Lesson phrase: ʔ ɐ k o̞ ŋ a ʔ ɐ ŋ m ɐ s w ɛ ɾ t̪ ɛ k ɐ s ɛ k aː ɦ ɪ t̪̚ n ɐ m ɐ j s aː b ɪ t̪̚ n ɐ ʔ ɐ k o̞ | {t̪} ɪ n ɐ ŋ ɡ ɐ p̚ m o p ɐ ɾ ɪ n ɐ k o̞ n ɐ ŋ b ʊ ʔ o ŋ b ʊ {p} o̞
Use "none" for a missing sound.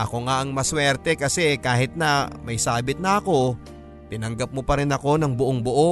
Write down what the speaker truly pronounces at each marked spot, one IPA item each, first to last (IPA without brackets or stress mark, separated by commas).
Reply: t̪, ʔ